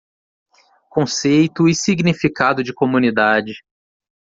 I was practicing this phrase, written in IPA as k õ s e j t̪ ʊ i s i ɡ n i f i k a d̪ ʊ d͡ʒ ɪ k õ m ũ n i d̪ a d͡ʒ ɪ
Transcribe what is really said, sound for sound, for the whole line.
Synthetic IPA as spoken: k õ s e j t̪ ʊ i s i ɡ n i f i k a d̪ ʊ d͡ʒ ɪ k o m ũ n i d̪ a d͡ʒ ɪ